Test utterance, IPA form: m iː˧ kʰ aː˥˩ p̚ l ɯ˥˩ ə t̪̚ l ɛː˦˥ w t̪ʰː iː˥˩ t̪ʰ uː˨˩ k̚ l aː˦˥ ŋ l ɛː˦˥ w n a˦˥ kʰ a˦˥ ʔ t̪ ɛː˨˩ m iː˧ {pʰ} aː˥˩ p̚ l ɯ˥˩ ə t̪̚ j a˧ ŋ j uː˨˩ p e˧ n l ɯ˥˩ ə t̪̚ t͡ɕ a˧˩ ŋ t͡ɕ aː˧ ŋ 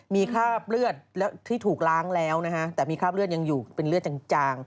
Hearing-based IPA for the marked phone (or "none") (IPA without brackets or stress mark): kʰ